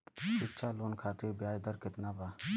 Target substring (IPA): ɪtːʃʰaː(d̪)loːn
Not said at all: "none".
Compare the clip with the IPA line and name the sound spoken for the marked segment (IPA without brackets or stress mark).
none